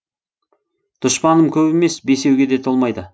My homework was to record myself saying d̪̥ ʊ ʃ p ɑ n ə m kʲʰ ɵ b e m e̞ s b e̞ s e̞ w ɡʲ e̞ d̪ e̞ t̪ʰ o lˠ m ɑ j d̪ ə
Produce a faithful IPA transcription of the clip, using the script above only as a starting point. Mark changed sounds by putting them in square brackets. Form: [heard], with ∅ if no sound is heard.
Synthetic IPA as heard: d̪̥ ʊ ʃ p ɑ n ə m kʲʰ ɵ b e m e̞ s b e̞ s e̞ w ɡʲ e̞ d̪ e̞ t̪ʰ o lˠ m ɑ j d̪ ə